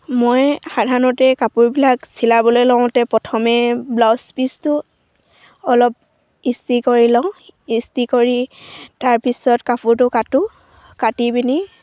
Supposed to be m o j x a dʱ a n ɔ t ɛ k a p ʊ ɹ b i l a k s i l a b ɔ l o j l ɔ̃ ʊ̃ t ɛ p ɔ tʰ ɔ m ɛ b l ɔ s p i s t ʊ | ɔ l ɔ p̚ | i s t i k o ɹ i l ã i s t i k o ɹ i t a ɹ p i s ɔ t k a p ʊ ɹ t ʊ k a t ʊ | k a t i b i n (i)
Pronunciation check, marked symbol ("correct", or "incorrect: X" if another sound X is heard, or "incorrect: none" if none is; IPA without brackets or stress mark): correct